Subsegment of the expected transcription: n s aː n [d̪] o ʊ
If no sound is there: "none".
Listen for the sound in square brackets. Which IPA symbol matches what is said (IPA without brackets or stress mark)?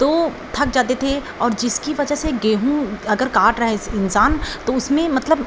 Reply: t̪